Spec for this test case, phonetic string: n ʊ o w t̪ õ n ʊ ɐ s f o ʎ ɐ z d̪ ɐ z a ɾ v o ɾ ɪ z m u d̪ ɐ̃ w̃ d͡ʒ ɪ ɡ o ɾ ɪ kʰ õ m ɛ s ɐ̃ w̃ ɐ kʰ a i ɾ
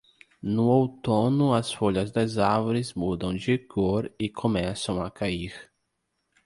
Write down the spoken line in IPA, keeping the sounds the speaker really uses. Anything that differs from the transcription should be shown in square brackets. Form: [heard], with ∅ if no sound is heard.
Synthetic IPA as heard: n ʊ o w t̪ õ n ʊ ɐ s f o ʎ ɐ z d̪ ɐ z a ɾ v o ɾ ɪ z m u d̪ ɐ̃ w̃ d͡ʒ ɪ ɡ o ɾ ɪ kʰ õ m ɛ s ɐ̃ w̃ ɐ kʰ a i ɾ